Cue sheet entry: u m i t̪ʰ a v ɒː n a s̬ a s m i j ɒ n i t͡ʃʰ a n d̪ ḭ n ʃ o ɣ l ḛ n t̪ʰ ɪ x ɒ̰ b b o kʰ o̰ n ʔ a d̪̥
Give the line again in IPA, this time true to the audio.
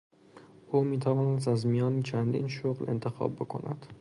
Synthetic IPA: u m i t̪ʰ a v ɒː n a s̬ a z m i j ɒ n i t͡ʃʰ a n d̪ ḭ n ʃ o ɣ l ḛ n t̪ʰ ɪ x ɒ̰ b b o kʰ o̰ n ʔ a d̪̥